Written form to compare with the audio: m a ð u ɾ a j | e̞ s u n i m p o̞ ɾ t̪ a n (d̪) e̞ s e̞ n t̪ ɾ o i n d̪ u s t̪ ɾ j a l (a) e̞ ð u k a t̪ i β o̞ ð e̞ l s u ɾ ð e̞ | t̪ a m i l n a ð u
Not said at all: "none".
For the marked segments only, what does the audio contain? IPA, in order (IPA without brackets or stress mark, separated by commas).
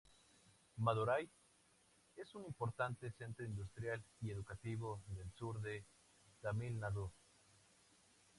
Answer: t̪, i